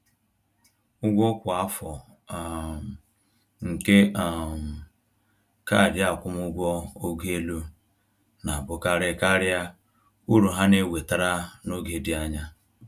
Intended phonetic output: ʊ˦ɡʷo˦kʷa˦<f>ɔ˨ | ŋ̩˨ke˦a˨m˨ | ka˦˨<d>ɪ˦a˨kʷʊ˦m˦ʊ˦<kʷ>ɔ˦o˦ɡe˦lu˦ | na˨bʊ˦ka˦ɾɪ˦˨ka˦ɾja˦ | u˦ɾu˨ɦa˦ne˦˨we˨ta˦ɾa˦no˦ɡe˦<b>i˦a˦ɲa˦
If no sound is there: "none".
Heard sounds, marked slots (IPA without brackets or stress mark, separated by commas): f, d, ɡʷ, d